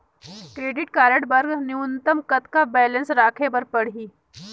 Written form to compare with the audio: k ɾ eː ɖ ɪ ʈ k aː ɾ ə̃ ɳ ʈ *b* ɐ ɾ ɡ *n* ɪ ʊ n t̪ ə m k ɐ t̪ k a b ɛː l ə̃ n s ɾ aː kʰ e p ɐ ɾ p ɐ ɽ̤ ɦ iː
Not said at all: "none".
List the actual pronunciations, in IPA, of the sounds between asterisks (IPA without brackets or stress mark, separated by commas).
b, n